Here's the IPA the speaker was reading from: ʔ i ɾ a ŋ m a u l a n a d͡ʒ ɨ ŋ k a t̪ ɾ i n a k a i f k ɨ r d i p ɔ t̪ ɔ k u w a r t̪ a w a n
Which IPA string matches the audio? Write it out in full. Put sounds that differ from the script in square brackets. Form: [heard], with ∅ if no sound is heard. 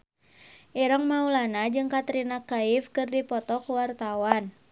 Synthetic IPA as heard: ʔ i ɾ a ŋ m a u l a n a d͡ʒ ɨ ŋ k a t̪ ɾ i n a k a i f k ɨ r d i p ɔ t̪ ɔ k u w a r t̪ a w a n

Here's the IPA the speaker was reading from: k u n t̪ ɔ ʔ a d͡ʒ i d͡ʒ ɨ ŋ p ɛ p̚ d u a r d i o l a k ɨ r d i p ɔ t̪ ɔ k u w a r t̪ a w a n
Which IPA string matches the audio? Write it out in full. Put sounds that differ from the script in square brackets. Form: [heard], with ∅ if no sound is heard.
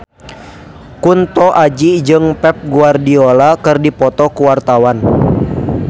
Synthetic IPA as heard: k u n t̪ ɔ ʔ a d͡ʒ i d͡ʒ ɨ ŋ p ɛ p̚ [ɡ] u a r d i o l a k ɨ r d i p ɔ t̪ ɔ k u w a r t̪ a w a n

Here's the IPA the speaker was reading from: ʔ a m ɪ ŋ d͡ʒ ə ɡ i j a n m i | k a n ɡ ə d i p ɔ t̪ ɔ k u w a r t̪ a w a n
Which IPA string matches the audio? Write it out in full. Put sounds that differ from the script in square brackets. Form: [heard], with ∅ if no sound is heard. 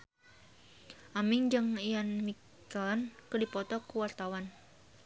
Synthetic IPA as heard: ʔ a m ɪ ŋ d͡ʒ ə [ŋ] i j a n m i | k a n [k] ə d i p ɔ t̪ ɔ k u w a r t̪ a w a n

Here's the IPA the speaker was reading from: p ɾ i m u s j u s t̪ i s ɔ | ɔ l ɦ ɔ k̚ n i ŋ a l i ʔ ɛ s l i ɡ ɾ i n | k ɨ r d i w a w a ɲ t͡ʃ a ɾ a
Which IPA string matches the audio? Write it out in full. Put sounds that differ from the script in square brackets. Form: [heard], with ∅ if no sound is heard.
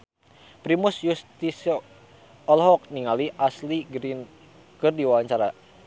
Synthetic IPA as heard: p ɾ i m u s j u s t̪ i s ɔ | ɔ l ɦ ɔ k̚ n i ŋ a l i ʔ [a] s l i ɡ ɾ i n | k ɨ r d i w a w a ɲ t͡ʃ a ɾ a

